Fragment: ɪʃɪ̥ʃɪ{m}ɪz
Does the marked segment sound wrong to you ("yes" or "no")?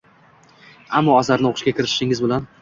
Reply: yes